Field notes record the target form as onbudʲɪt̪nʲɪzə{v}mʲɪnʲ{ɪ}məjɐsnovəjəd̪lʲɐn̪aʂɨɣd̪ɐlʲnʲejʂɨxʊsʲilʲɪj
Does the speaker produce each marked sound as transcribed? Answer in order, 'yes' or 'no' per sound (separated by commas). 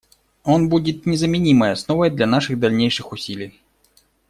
no, no